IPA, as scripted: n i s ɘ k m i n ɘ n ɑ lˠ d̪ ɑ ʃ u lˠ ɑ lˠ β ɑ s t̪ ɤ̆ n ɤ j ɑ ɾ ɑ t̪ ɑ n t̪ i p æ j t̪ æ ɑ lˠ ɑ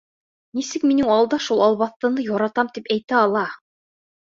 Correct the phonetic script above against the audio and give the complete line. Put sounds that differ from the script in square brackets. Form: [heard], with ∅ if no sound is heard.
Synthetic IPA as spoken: n i s ɘ k m i n ɘ [ŋ] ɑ lˠ d̪ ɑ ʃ u lˠ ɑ lˠ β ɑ [θ] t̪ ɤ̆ n ɤ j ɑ ɾ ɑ t̪ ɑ [m] t̪ i p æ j t̪ æ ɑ lˠ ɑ